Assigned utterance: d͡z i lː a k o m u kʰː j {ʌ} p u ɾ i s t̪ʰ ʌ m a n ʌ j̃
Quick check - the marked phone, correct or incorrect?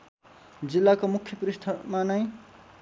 correct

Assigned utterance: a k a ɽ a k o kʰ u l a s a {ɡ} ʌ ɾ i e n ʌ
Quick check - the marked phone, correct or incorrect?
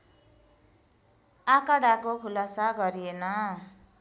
correct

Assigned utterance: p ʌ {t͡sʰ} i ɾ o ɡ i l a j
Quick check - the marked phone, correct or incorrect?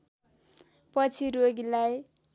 correct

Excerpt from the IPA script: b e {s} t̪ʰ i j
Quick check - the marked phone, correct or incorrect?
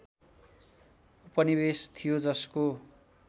correct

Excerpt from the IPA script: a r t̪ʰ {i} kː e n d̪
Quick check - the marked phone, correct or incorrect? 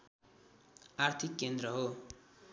correct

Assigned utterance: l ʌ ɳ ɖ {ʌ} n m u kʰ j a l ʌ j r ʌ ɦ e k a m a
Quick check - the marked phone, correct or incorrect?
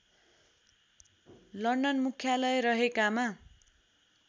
correct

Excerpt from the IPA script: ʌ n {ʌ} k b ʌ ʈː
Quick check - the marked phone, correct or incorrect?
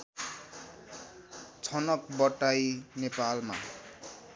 correct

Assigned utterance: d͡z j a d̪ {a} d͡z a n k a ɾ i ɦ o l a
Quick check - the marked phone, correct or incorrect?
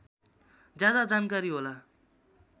correct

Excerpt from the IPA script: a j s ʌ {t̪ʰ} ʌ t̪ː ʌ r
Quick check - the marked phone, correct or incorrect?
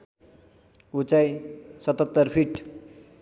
incorrect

